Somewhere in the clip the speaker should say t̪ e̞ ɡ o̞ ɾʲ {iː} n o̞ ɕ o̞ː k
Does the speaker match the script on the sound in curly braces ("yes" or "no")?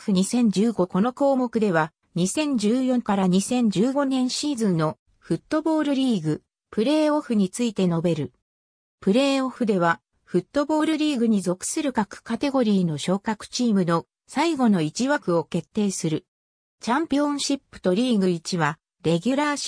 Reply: yes